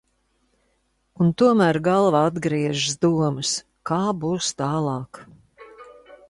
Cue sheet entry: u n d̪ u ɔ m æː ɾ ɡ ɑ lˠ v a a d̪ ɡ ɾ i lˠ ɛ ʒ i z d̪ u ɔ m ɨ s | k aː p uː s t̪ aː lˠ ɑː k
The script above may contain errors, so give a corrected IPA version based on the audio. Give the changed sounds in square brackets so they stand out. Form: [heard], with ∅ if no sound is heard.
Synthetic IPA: u n [t̪] u ɔ m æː ɾ ɡ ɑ lˠ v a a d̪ ɡ ɾ i [∅] ɛ ʒ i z d̪ u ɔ m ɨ s | k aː [b] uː s t̪ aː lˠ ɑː k